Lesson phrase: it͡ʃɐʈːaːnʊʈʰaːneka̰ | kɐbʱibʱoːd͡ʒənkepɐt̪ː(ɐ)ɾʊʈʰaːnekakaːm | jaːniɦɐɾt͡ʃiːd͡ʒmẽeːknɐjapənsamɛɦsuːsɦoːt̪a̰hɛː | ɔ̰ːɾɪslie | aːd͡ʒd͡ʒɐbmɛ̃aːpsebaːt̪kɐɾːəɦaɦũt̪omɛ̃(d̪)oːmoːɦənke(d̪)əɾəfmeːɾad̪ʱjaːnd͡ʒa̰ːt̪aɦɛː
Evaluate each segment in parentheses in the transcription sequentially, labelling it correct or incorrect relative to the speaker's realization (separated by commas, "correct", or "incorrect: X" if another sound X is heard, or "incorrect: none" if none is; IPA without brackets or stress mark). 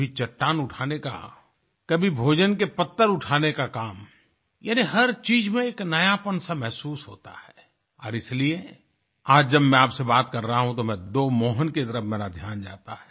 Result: incorrect: ə, correct, incorrect: t̪